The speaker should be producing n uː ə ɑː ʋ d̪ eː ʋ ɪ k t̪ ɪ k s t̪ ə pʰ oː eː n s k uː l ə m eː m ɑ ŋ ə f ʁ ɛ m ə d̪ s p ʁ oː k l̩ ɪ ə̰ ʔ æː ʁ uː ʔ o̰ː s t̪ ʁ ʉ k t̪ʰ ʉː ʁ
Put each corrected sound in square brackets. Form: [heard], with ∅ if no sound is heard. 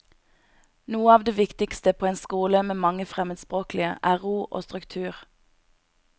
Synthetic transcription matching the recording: n uː ə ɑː ʋ d̪ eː ʋ ɪ k t̪ ɪ k s t̪ ə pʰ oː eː n s k uː l ə m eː m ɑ ŋ ə f ʁ ɛ m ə d̪ s p ʁ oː k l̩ ɪ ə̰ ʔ æː ʁ uː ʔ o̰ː s t̪ ʁ ʉ k t̪ʰ ʉː ʁ

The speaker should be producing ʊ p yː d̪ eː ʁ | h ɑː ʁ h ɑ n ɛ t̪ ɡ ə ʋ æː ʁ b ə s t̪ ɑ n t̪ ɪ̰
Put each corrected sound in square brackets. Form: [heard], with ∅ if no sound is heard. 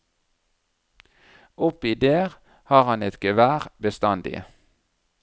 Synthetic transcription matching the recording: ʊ p [iː] d̪ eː ʁ | h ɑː ʁ h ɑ n ɛ t̪ ɡ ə ʋ æː ʁ b ə s t̪ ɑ n [d̪] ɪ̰

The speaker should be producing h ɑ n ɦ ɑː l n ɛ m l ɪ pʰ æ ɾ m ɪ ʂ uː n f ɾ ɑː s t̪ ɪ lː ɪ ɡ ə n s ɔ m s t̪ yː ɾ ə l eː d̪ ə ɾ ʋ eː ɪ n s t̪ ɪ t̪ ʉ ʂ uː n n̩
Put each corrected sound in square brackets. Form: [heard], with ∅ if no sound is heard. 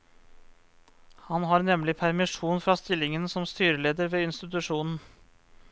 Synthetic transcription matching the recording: h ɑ n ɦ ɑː [ɾ] n ɛ m l ɪ pʰ æ ɾ m ɪ ʂ uː n f ɾ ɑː s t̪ ɪ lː ɪ [ŋ] ə n s ɔ m s t̪ yː ɾ ə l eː d̪ ə ɾ ʋ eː ɪ n s t̪ ɪ t̪ ʉ ʂ uː n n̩

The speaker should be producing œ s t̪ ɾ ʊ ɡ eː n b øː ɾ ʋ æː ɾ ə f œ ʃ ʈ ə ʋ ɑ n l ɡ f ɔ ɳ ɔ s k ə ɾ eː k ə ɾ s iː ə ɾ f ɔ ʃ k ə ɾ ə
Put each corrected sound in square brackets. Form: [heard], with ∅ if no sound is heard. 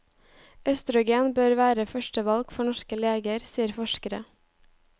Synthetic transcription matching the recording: œ s t̪ ɾ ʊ ɡ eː n b øː ɾ ʋ æː ɾ ə f œ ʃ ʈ ə ʋ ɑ [∅] l ɡ f ɔ ɳ ɔ [ʃ] k ə [l] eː [ɡ] ə ɾ s iː ə ɾ f ɔ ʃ k ə ɾ ə

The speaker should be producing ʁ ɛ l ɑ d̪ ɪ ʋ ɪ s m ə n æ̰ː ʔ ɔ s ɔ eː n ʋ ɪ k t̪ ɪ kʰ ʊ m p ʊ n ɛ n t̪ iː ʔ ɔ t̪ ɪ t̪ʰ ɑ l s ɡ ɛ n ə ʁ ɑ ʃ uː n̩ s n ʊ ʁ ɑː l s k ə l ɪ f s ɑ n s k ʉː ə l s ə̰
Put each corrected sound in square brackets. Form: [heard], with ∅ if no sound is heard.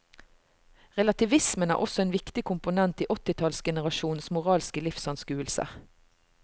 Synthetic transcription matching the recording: ʁ ɛ l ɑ [t̪] ɪ ʋ ɪ s m ə n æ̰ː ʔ ɔ s ɔ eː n ʋ ɪ k t̪ ɪ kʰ ʊ m p ʊ n ɛ n t̪ iː ʔ ɔ t̪ ɪ t̪ʰ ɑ l s ɡ ɛ n ə ʁ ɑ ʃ uː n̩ s [m] ʊ ʁ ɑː l s k ə l ɪ f s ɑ n s k ʉː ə l s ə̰

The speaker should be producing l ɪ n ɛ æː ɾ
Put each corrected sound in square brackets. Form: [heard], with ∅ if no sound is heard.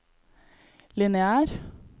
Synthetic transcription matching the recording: l ɪ n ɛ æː ɾ

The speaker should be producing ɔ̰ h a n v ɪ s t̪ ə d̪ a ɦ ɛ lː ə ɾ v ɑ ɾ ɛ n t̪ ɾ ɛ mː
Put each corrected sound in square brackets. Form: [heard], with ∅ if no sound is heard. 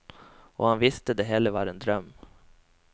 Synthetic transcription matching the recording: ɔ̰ h a n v ɪ s t̪ ə d̪ [ɛ] ɦ ɛ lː ə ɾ v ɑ ɾ ɛ n [d̪] ɾ [œ] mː

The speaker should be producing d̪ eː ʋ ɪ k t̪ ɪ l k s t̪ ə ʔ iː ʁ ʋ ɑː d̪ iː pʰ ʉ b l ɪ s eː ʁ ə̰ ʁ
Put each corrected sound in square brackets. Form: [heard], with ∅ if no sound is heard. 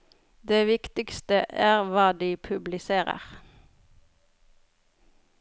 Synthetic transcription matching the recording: d̪ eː ʋ ɪ k t̪ ɪ [∅] k s t̪ ə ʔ [æː] ʁ ʋ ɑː d̪ iː pʰ ʉ b l ɪ s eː ʁ ə̰ ʁ

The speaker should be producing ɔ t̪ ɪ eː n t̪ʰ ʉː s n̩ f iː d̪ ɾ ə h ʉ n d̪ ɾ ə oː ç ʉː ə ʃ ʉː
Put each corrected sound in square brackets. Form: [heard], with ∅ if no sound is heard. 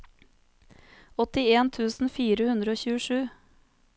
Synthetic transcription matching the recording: ɔ t̪ ɪ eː n t̪ʰ ʉː s n̩ f iː [∅] ɾ ə h ʉ n d̪ ɾ ə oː ç ʉː ə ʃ ʉː

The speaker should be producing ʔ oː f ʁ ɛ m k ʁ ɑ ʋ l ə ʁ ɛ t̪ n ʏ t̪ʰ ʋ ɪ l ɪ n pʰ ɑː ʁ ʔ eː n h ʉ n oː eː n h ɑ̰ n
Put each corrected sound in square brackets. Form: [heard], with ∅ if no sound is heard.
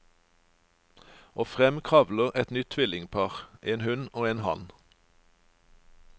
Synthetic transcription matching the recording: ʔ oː f ʁ ɛ m [kʰ] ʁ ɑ ʋ l ə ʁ ɛ t̪ n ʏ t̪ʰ ʋ ɪ l ɪ [ŋ] pʰ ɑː ʁ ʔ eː n h ʉ n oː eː n h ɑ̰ n

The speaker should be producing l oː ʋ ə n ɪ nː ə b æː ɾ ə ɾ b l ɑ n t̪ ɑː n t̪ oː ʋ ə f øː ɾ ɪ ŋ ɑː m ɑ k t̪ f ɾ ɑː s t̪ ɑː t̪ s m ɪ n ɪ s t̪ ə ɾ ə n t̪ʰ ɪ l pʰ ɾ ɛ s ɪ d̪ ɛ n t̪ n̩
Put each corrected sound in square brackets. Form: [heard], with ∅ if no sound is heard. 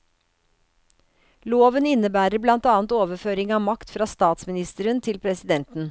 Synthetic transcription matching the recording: l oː ʋ ə n ɪ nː ə b æː ɾ ə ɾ b l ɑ n t̪ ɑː n t̪ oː ʋ ə f øː ɾ ɪ ŋ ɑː m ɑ k t̪ f ɾ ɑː s t̪ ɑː t̪ s m ɪ n ɪ s t̪ ə ɾ ə n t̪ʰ ɪ l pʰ ɾ ɛ s ɪ d̪ ɛ n t̪ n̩

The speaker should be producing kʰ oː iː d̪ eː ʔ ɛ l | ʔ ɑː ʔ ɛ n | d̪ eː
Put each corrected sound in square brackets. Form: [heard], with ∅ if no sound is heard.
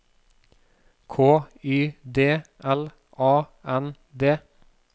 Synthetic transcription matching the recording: kʰ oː [yː] d̪ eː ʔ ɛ l | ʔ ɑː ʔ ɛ n | d̪ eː

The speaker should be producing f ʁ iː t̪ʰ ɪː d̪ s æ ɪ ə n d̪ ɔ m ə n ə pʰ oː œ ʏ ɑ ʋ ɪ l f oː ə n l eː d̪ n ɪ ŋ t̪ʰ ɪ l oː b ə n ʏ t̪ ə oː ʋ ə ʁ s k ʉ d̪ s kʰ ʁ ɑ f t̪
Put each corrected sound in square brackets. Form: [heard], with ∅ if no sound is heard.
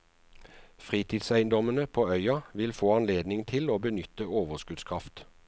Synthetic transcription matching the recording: f ʁ iː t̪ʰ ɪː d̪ s æ ɪ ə n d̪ ɔ m ə n ə pʰ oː œ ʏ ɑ ʋ ɪ l f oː [ɑ] n l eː d̪ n ɪ ŋ t̪ʰ ɪ l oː b ə n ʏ t̪ ə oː ʋ ə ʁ s k ʉ d̪ s kʰ ʁ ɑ f t̪

